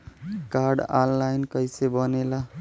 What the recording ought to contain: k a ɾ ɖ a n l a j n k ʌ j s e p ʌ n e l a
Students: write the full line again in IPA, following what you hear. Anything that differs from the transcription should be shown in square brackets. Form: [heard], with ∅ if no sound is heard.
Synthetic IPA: k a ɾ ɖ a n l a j n k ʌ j s e [b] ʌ n e l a